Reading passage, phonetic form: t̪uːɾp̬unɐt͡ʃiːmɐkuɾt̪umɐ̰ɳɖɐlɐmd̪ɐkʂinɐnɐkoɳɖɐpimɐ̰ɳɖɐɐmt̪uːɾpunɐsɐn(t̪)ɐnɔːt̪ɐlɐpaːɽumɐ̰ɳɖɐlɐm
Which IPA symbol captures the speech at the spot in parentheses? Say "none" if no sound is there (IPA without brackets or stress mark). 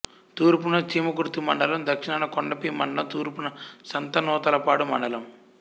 t̪